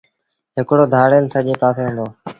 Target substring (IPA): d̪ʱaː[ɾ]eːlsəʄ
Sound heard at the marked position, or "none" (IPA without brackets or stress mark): ɽ